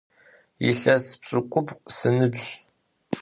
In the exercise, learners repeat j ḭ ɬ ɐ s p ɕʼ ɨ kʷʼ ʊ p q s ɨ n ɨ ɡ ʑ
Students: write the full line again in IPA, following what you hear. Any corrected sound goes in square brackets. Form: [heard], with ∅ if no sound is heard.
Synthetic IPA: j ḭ ɬ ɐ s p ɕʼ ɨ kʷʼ ʊ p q s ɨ n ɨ [b] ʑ